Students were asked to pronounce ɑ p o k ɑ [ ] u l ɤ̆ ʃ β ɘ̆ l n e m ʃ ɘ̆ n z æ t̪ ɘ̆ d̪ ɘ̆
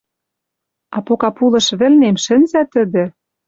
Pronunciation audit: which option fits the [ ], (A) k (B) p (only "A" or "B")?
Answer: B